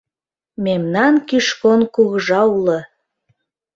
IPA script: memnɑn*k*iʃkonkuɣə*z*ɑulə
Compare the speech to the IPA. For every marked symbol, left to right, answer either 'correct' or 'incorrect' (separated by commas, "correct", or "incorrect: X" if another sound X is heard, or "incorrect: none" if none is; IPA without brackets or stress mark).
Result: correct, incorrect: ʒ